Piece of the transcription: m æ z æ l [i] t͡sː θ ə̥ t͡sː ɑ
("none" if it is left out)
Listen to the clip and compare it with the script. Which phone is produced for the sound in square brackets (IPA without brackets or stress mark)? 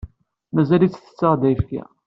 i